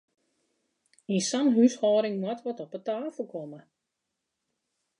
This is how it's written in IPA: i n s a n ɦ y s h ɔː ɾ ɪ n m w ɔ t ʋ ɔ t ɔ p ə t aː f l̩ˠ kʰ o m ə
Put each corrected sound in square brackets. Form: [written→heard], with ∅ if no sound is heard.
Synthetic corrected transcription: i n s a n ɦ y s h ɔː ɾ ɪ [n→ŋ] m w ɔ t ʋ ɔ t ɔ p ə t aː f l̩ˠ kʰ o m ə